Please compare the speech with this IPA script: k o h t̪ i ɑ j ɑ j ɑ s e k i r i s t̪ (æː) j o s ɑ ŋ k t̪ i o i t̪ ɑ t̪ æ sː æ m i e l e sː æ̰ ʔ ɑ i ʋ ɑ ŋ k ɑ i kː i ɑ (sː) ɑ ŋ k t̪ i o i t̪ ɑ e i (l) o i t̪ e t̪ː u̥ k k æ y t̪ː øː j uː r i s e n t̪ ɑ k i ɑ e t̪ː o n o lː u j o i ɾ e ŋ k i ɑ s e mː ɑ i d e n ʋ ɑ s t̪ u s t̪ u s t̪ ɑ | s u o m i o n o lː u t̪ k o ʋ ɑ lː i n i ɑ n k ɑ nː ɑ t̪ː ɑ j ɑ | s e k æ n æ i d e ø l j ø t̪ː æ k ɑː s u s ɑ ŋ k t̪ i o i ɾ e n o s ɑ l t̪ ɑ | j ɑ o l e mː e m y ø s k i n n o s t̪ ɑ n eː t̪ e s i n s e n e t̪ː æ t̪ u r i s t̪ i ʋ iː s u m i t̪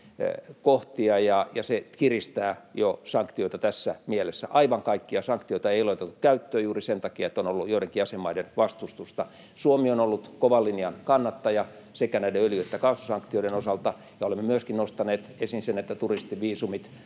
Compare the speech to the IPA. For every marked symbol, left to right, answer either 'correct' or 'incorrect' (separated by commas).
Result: correct, incorrect, correct